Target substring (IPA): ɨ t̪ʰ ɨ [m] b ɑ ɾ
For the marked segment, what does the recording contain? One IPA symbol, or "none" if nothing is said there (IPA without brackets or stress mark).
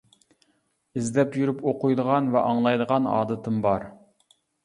m